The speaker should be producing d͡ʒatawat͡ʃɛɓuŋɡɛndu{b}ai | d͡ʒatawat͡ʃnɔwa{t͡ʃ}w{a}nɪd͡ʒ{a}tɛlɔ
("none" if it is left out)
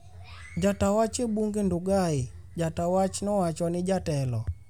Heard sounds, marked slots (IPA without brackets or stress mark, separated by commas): ɡ, t͡ʃ, a, a